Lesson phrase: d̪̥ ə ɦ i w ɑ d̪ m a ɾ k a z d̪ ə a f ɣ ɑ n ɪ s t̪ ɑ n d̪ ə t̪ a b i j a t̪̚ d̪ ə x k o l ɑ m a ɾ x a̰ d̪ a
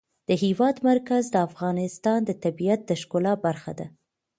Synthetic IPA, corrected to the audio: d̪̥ ə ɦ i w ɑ d̪ m a ɾ k a z d̪ ə a f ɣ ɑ n ɪ s t̪ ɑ n d̪ ə t̪ a b i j a t̪̚ d̪ ə ʃ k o l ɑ b a ɾ x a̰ d̪ a